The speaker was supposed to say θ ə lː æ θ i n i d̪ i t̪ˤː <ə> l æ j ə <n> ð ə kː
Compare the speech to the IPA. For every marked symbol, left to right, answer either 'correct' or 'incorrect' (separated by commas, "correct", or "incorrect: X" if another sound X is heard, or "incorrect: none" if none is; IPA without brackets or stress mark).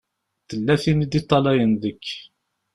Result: incorrect: ɑ, correct